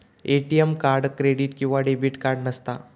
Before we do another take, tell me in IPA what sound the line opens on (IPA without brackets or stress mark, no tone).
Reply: e